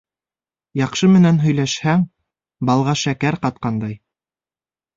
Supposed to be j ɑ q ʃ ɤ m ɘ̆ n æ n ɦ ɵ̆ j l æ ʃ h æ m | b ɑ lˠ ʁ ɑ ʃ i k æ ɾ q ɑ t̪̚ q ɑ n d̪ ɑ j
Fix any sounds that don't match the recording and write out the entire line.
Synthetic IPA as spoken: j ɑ q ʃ ɤ m ɘ̆ n æ n ɦ ɵ̆ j l æ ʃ h æ ŋ | b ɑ lˠ ʁ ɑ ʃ æ k æ ɾ q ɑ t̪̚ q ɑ n d̪ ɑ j

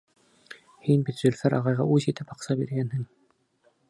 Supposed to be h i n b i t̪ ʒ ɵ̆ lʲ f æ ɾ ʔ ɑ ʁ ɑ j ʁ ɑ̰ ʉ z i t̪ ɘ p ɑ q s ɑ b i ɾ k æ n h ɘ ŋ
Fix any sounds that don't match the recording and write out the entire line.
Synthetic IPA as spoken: h i n b i t̪ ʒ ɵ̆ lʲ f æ ɾ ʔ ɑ ʁ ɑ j ʁ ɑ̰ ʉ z i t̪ ɘ p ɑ q s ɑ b i ɾ ɡ æ n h ɘ ŋ

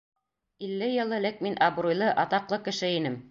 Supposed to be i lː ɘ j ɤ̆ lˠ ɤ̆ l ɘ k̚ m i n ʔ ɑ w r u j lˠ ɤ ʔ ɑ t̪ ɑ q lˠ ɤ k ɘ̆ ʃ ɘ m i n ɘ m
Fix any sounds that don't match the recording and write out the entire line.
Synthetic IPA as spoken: i lː ɘ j ɤ̆ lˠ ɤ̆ l ɘ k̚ m i n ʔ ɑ b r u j lˠ ɤ ʔ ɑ t̪ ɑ q lˠ ɤ k ɘ̆ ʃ ɘ i n ɘ m

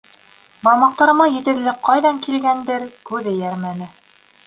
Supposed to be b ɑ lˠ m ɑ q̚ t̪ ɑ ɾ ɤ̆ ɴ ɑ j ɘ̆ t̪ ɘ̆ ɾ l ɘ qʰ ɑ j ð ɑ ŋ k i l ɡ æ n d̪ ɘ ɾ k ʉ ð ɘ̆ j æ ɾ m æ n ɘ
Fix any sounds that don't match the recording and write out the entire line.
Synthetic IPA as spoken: b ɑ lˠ m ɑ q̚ t̪ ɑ ɾ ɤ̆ m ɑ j ɘ̆ t̪ ɘ̆ ɾ l ɘ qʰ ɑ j ð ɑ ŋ k i l ɡ æ n d̪ ɘ ɾ k ʉ ð ɘ̆ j æ ɾ m æ n ɘ

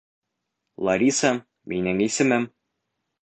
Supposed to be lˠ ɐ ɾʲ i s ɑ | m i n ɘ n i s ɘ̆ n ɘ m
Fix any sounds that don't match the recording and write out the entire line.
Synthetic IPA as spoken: lˠ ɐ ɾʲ i s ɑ | m i n ɘ ŋ i s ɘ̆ m ɘ m

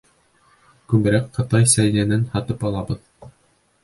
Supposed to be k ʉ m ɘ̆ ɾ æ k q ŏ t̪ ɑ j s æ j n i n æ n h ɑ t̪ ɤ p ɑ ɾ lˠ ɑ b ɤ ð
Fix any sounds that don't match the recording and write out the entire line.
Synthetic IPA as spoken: k ʉ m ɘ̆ ɾ æ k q ɤ̆ t̪ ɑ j s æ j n æ n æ n h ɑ t̪ ɤ p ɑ lˠ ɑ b ɤ ð

